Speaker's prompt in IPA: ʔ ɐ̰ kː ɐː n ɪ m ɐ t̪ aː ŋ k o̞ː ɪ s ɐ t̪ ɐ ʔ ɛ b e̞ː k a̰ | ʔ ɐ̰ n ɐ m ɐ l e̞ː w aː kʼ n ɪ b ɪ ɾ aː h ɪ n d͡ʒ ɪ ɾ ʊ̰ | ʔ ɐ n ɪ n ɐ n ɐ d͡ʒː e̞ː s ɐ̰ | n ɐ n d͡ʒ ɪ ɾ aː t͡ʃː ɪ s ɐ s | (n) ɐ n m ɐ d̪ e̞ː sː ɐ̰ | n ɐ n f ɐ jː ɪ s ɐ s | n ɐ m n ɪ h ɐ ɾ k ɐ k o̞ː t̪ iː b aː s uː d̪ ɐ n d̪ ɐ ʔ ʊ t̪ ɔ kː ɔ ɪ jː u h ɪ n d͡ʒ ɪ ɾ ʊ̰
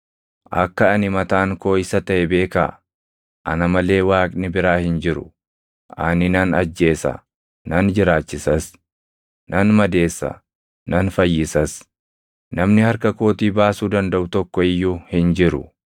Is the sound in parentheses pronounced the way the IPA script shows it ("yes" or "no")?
yes